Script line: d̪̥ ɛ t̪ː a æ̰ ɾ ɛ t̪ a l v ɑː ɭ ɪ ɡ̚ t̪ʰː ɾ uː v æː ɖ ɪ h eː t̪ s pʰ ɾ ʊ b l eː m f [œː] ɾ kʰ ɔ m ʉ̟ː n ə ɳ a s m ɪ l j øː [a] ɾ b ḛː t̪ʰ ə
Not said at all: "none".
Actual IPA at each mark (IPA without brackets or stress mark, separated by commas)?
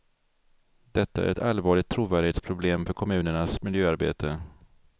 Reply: œ, a